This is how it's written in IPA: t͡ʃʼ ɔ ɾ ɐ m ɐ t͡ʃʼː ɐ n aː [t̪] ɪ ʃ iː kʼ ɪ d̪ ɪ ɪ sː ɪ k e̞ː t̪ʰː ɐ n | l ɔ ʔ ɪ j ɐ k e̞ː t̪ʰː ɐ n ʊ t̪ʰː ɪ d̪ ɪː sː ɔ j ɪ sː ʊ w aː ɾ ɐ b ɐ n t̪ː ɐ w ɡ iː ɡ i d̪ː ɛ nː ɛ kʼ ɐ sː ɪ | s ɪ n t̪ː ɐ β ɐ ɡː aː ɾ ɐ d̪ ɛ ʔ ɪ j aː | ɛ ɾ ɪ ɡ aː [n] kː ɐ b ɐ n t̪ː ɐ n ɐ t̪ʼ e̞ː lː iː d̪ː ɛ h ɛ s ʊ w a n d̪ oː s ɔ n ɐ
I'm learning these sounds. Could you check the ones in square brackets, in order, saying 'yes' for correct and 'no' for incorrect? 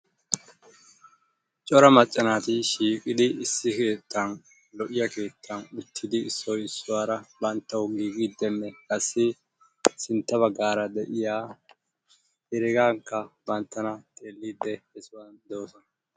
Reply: yes, no

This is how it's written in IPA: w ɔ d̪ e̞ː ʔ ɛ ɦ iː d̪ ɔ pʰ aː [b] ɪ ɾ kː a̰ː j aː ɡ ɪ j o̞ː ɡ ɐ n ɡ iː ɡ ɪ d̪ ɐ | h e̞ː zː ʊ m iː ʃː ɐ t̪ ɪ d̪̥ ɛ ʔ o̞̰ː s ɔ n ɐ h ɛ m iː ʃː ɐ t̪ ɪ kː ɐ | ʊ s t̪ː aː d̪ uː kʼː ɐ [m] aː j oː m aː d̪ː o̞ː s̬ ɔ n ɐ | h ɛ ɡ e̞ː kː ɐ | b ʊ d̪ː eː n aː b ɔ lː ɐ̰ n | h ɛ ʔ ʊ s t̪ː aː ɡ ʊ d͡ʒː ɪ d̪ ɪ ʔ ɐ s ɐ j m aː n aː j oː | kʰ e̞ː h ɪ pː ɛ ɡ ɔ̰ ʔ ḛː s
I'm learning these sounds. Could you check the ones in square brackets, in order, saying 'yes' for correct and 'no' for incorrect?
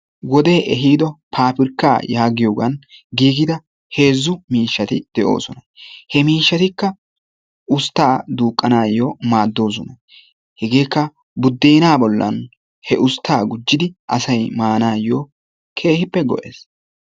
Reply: no, no

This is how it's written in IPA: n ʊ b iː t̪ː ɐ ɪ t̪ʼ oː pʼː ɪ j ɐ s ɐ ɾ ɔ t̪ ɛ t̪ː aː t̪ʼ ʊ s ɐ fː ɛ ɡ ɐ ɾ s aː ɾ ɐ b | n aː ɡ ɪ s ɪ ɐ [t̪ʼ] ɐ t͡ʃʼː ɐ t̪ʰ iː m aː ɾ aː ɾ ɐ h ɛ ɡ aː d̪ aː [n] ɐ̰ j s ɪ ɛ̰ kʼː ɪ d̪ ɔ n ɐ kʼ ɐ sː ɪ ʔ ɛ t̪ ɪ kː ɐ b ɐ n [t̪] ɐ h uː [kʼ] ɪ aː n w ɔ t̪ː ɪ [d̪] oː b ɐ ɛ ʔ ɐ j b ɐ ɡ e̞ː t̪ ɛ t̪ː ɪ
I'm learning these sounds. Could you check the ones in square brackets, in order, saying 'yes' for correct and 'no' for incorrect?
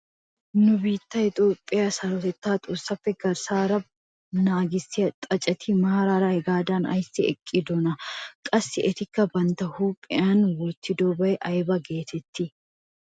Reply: yes, yes, yes, no, yes

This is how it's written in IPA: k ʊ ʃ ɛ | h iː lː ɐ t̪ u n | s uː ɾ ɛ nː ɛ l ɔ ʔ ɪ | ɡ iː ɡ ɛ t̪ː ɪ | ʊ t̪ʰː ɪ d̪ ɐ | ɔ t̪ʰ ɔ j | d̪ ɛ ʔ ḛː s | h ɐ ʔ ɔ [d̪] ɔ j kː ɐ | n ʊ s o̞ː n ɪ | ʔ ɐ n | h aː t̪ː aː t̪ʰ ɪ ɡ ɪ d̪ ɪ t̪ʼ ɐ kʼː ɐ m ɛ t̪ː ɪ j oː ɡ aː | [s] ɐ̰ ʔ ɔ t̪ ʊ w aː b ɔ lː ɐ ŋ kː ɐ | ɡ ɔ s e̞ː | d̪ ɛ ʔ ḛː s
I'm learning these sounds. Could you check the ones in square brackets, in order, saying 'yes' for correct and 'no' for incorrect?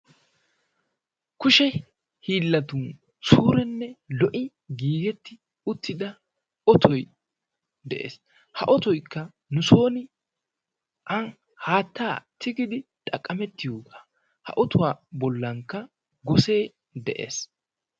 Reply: no, no

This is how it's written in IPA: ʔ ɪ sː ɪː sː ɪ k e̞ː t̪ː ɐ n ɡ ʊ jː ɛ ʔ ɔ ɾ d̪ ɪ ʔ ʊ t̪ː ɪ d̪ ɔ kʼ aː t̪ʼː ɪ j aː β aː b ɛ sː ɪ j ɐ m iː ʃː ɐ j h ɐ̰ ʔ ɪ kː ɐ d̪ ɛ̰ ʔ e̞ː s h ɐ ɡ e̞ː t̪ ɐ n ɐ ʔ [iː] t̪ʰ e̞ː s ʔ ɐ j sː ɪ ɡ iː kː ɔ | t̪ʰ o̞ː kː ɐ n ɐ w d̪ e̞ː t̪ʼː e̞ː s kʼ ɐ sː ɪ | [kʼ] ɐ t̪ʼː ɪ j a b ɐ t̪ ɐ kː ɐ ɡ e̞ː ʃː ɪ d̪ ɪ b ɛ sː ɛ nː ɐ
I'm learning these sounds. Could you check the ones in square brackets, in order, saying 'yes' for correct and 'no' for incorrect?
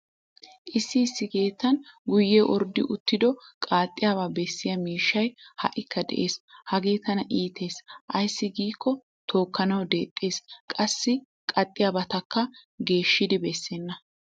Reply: yes, yes

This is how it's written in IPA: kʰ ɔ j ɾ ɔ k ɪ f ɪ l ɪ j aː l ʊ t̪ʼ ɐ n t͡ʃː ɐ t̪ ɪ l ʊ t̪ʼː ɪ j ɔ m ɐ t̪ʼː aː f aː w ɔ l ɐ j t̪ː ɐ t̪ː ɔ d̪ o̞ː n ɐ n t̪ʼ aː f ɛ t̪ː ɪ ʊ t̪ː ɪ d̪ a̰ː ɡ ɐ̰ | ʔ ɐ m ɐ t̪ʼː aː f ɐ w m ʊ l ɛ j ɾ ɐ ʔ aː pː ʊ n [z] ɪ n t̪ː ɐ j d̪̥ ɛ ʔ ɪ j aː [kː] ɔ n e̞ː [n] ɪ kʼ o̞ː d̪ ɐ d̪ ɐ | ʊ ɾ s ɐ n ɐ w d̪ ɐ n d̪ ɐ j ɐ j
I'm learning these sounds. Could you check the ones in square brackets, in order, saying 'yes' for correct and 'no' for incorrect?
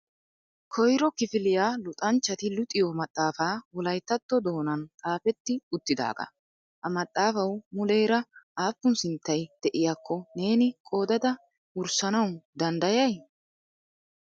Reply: no, yes, yes

